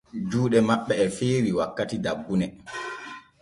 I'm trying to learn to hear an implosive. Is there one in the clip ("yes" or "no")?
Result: yes